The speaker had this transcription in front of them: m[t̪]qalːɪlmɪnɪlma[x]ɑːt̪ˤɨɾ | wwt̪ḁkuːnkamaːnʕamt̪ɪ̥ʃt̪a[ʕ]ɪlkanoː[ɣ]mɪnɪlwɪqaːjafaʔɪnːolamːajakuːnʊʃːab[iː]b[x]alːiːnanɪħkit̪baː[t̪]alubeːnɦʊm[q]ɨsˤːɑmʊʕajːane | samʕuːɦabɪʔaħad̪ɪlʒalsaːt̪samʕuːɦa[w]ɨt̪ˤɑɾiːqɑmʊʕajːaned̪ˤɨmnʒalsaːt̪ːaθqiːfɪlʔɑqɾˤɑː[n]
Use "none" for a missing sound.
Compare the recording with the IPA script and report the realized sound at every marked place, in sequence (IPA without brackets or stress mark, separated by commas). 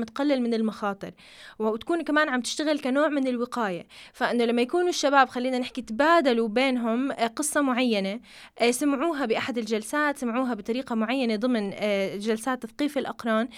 t̪, x, ɣ, ʕ, aː, x, d̪, q, b, n